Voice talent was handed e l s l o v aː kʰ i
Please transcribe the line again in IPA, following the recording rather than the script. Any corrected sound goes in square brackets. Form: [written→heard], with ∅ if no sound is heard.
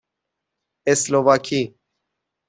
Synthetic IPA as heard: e [l→∅] s l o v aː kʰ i